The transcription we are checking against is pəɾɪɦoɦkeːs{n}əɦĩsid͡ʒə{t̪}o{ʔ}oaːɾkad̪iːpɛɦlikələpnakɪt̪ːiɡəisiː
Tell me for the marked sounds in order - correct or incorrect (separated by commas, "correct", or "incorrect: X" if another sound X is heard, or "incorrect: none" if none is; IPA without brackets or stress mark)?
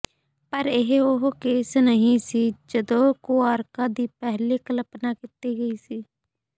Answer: correct, incorrect: d̪, incorrect: k